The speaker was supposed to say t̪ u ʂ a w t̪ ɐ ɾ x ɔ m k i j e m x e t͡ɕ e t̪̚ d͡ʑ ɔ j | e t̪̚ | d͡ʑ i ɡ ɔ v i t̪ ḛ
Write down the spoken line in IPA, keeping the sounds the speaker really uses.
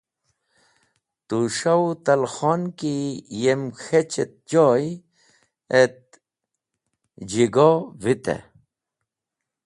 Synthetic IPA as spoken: t̪ u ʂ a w t̪ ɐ l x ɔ n k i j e m x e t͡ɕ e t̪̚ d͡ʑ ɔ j | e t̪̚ | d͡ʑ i ɡ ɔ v i t̪ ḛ